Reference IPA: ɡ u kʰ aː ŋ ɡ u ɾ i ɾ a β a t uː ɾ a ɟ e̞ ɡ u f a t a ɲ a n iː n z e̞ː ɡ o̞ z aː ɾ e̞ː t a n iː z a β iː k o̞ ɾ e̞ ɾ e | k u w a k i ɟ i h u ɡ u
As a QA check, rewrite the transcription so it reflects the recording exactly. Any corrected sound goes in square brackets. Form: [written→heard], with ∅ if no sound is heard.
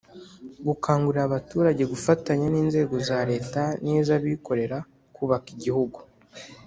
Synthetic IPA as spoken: ɡ u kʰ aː ŋ ɡ u ɾ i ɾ a β a t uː ɾ a ɟ e̞ ɡ u f a t a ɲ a n iː n z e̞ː ɡ o̞ z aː ɾ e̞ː t a n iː z a β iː k o̞ ɾ e̞ ɾ [e→a] | k u [w→β] a k i ɟ i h u ɡ u